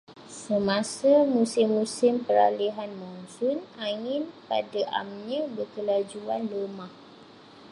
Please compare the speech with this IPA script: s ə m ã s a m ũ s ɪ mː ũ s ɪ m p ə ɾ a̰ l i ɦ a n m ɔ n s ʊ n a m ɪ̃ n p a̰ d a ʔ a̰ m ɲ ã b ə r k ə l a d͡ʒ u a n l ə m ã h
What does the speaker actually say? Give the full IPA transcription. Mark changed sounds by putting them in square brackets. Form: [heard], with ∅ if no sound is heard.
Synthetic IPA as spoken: s ə m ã s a m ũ s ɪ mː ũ s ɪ m p ə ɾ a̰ l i ɦ a n m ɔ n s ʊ n a [ŋ] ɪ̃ n p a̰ d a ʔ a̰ m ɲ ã b ə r k ə l a d͡ʒ u a n l ə m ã h